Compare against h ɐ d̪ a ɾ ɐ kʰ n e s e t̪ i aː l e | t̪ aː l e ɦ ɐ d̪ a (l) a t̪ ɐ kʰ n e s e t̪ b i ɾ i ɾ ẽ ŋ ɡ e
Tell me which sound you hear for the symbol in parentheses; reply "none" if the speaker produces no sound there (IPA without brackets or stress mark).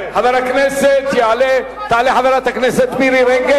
ɾ